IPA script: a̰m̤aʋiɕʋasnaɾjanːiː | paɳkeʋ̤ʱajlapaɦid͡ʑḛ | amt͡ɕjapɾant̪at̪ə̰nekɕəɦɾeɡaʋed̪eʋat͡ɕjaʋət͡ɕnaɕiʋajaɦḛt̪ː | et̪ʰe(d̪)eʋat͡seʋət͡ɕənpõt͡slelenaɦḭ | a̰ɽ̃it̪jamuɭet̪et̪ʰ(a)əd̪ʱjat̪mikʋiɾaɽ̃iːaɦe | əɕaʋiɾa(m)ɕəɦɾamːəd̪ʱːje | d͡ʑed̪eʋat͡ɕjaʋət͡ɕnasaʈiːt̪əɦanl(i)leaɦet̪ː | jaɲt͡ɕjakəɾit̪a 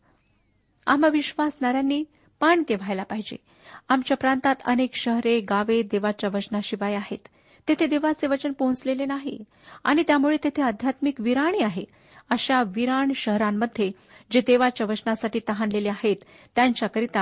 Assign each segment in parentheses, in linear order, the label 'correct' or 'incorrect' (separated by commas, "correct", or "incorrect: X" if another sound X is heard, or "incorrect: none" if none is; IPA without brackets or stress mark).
correct, incorrect: e, incorrect: ɳ, incorrect: e